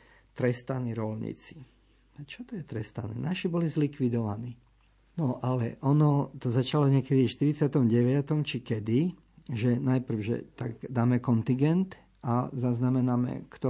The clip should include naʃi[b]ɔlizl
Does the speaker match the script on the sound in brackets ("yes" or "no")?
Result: yes